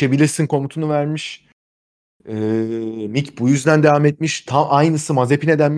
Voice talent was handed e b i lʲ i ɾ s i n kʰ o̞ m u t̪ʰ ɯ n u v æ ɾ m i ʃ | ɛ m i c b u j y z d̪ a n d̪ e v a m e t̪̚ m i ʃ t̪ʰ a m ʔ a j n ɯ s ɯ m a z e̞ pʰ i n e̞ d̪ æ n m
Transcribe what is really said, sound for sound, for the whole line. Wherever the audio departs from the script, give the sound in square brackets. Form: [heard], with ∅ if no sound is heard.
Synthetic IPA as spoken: e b i lʲ i ɾ s i n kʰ o̞ m u t̪ʰ [u] n u v æ ɾ m i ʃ | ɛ m i c b u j y z d̪ [æ] n d̪ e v a m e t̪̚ m i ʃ t̪ʰ a m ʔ a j n ɯ s ɯ m a z e̞ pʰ i n e̞ d̪ æ n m